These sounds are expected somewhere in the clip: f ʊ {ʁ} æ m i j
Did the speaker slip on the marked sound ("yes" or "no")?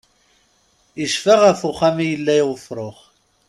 yes